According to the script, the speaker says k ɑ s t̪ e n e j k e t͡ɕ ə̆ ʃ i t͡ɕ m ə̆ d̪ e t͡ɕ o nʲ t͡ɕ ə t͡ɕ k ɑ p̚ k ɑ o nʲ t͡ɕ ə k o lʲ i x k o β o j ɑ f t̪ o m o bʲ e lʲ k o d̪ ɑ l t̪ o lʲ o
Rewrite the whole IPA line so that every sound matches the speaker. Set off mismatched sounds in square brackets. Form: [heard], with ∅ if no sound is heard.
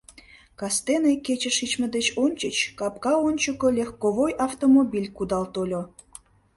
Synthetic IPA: k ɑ s t̪ e n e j k e t͡ɕ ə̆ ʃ i t͡ɕ m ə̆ d̪ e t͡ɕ o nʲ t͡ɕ ə t͡ɕ k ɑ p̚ k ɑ o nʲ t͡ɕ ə k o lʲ [e] x k o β o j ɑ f t̪ o m o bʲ [i] lʲ k [u] d̪ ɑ l t̪ o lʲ o